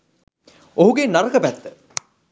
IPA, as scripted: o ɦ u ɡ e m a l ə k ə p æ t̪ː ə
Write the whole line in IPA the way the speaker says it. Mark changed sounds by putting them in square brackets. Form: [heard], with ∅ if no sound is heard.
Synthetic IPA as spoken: o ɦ u ɡ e [n] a [ɾ] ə k ə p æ t̪ː ə